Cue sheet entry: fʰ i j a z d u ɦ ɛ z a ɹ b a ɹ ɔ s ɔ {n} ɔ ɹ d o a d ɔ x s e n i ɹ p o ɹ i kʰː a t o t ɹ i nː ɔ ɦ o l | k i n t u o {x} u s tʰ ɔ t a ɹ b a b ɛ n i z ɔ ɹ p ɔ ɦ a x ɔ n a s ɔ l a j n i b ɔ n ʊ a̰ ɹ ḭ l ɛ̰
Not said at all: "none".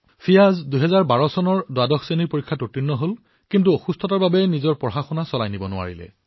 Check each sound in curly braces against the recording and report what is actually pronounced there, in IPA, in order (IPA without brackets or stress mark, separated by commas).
n, x